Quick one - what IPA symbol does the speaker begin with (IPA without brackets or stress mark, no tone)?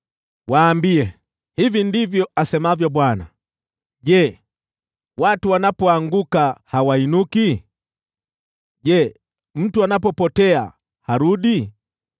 w